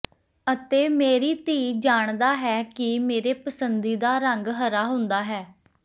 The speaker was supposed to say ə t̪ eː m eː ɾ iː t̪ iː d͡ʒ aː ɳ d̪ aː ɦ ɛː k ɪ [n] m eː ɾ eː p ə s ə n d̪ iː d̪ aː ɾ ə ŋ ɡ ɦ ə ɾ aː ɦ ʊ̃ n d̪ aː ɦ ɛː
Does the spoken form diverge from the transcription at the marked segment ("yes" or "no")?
yes